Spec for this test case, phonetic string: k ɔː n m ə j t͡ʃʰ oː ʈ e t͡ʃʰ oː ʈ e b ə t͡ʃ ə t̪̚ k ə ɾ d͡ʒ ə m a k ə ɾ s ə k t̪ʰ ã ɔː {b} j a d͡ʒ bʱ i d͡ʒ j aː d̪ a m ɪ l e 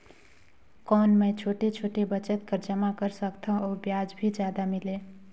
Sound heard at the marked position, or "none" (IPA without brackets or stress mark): b